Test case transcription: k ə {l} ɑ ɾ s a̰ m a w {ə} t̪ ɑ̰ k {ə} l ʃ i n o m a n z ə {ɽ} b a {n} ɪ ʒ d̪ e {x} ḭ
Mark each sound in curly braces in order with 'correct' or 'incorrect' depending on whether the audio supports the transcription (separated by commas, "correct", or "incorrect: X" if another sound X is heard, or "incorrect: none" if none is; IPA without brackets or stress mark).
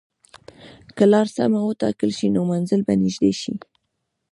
correct, correct, correct, incorrect: l, correct, incorrect: ʃ